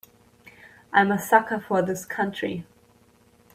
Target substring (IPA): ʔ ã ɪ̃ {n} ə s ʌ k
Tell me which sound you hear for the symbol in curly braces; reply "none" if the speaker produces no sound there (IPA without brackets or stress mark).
m